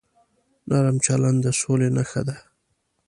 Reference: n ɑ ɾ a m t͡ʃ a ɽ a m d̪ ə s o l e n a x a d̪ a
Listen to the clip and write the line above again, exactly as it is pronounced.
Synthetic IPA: n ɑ ɾ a m t͡ʃ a l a n d̪ ə s o l e n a x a d̪ a